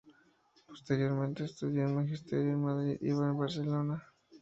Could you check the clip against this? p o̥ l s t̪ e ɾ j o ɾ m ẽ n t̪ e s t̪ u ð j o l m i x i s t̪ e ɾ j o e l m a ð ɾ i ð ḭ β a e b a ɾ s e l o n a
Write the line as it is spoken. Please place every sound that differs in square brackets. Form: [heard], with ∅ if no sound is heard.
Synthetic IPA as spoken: p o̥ [∅] s t̪ e ɾ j o ɾ m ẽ n t̪ e s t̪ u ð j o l m [a] x i s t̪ e ɾ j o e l m a ð ɾ i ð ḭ β a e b a ɾ s e l o n a